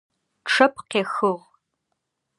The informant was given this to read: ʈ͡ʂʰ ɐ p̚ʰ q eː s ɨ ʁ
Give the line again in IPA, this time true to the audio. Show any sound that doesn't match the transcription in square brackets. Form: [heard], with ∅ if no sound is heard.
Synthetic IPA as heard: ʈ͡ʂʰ ɐ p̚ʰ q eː [x] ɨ ʁ